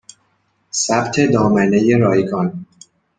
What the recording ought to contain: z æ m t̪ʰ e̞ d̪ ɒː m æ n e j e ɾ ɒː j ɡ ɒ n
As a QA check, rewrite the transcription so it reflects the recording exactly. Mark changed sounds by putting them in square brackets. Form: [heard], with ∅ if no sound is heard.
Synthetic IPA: [s] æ [b] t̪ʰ e̞ d̪ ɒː m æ n e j e ɾ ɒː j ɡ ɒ n